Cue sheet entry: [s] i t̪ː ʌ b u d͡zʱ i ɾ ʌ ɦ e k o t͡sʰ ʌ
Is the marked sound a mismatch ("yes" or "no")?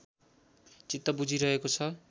yes